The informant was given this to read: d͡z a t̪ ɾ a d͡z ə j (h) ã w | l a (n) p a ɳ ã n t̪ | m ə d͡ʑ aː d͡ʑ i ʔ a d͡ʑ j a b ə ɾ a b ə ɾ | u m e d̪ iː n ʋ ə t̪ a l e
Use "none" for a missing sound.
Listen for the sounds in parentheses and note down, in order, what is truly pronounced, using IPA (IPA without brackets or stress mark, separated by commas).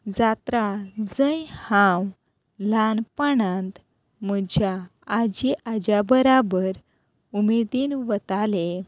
h, n